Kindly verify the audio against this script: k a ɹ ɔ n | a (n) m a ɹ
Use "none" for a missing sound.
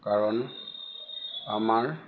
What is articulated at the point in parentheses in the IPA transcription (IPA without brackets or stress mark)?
none